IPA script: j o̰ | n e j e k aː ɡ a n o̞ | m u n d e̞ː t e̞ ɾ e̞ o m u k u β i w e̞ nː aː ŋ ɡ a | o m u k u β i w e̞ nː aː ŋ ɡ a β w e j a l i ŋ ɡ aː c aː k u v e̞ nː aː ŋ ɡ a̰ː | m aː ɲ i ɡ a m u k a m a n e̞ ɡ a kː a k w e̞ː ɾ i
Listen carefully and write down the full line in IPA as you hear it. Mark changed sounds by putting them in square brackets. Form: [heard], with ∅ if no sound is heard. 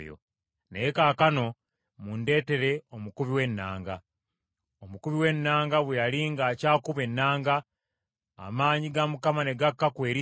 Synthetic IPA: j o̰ | n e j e k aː [k] a n o̞ | m u n d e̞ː t e̞ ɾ e̞ o m u k u β i w e̞ nː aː ŋ ɡ a | o m u k u β i w e̞ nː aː ŋ ɡ a β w e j a l i ŋ ɡ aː c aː k u [β] e̞ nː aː ŋ ɡ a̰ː | m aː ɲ i ɡ a m u k a m a n e̞ ɡ a kː a k w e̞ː ɾ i